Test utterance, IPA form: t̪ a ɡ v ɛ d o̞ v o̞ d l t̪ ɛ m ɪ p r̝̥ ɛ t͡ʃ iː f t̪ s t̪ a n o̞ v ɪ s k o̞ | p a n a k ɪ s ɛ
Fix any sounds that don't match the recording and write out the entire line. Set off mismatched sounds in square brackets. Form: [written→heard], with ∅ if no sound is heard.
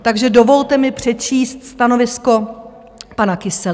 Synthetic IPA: t̪ a ɡ [v→ʒ] ɛ d o̞ v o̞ [d→∅] l t̪ ɛ m ɪ p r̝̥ ɛ t͡ʃ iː [f→s] t̪ s t̪ a n o̞ v ɪ s k o̞ | p a n a k ɪ s ɛ